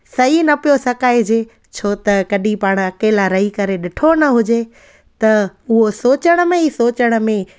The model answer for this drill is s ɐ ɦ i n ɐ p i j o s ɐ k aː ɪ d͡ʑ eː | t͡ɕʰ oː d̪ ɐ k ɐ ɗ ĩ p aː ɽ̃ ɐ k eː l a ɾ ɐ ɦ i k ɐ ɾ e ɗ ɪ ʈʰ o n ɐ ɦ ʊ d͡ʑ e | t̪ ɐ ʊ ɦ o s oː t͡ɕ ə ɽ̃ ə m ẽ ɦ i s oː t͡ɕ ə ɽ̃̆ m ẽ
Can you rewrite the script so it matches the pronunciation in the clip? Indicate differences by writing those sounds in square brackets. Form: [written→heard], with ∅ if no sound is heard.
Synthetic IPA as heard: s ɐ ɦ i n ɐ p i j o s ɐ k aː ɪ d͡ʑ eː | t͡ɕʰ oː [d̪→t̪] ɐ k ɐ ɗ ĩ p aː ɽ̃ ɐ k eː l a ɾ ɐ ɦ i k ɐ ɾ e ɗ ɪ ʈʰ o n ɐ ɦ ʊ d͡ʑ e | t̪ ɐ ʊ ɦ o s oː t͡ɕ ə ɽ̃ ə m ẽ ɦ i s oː t͡ɕ ə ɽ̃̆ m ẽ